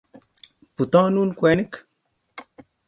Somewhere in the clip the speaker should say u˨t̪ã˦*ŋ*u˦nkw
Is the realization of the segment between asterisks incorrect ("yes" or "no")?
yes